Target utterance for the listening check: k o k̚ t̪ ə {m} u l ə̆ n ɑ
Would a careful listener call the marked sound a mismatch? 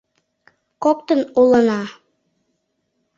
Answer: yes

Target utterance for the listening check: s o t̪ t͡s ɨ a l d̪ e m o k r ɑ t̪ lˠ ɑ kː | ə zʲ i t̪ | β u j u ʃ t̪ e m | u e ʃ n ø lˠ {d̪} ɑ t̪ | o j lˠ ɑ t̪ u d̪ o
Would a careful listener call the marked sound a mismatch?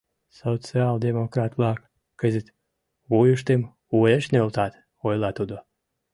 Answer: yes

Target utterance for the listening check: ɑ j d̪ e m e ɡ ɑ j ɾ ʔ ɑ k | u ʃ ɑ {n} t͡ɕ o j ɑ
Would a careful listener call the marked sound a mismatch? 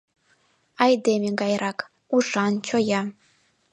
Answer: no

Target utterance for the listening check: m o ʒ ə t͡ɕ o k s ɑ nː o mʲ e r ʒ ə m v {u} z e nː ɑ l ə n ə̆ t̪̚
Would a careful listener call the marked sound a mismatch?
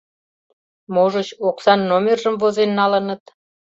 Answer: yes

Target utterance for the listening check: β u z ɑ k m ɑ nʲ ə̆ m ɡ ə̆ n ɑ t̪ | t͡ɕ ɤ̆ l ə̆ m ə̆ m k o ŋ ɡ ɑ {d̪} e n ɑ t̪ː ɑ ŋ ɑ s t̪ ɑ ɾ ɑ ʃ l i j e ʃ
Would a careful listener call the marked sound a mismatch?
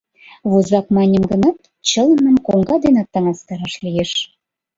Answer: no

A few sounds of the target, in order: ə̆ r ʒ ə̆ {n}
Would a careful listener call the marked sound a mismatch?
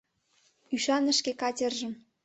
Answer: yes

